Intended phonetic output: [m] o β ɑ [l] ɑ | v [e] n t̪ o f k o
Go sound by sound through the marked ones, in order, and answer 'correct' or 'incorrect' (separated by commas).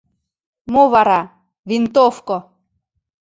correct, incorrect, incorrect